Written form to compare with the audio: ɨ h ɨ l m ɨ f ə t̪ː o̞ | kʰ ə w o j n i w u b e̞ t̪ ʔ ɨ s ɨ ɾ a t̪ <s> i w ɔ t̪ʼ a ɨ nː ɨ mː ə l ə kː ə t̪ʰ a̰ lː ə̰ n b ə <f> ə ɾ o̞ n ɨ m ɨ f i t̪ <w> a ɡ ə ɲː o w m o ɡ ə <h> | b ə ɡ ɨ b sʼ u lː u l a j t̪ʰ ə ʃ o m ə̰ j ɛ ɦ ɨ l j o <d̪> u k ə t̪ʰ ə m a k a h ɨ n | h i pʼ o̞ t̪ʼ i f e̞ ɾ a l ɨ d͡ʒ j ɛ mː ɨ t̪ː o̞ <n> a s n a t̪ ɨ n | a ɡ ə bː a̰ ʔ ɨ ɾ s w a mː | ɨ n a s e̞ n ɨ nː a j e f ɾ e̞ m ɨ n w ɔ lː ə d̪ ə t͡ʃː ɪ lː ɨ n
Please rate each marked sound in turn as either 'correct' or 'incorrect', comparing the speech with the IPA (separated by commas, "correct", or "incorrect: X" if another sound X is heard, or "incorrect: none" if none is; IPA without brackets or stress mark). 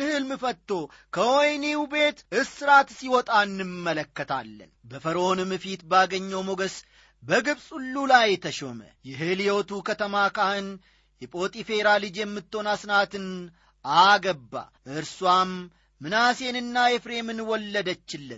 correct, correct, incorrect: b, incorrect: s, incorrect: t̪, correct